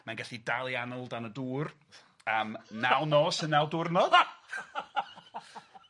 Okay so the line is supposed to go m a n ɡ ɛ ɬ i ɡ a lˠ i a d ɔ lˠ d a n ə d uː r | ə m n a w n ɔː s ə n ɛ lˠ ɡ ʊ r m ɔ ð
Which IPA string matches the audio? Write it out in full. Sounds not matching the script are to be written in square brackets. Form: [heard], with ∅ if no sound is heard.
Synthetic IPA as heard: m a n ɡ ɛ ɬ i [d] a lˠ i a [n] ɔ lˠ d a n ə d uː r | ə m n a w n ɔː s ə n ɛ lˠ [d] ʊ r [n] ɔ ð